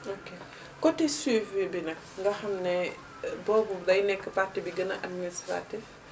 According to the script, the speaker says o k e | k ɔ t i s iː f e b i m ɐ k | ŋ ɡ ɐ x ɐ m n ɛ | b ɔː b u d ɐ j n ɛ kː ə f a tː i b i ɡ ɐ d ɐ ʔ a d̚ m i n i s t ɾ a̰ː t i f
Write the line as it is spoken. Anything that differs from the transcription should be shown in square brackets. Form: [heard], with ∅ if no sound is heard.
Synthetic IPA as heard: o k e | k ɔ t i s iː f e b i [n] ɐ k | ŋ ɡ ɐ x ɐ m n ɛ | b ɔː b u d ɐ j n ɛ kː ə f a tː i b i ɡ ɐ [n] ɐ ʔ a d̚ m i n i s t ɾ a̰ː t i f